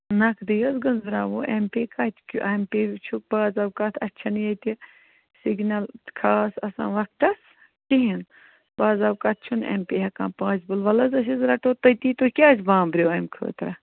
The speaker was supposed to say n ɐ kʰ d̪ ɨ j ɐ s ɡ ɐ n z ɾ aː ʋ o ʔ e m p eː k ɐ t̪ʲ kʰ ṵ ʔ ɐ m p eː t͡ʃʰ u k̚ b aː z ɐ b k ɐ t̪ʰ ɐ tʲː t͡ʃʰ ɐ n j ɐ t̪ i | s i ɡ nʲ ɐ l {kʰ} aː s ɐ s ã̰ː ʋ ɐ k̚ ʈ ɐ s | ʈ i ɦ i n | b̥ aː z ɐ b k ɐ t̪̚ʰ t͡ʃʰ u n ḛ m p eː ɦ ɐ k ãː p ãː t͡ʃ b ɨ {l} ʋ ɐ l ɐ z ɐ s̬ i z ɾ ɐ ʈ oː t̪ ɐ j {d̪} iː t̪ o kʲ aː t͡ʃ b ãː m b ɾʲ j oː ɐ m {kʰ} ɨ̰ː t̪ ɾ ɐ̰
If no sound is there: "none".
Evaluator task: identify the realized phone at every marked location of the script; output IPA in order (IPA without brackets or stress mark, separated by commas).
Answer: kʰ, l, t̪, kʰ